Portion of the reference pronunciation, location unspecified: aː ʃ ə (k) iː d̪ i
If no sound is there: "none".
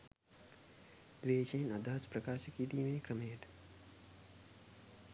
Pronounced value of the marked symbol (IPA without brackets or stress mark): k